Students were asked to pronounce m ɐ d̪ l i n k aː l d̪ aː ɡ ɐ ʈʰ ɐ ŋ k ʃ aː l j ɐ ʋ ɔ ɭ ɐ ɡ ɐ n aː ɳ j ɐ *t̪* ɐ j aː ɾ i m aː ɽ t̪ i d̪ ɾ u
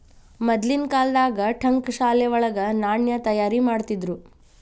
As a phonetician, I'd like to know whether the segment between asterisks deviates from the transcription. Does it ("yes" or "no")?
no